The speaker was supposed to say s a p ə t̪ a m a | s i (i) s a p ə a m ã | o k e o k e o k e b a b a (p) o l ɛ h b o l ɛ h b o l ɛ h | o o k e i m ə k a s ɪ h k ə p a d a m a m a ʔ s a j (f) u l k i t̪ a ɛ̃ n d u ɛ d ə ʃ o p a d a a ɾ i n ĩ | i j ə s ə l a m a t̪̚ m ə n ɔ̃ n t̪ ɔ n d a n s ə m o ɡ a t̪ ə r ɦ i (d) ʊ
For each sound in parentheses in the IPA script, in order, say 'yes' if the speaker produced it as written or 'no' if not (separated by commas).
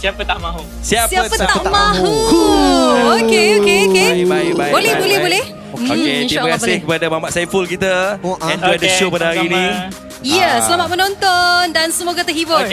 no, no, yes, no